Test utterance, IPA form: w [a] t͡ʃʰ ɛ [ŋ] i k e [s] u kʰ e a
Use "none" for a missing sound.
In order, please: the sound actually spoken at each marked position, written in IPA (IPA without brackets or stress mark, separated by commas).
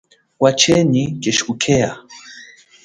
a, n, ʃ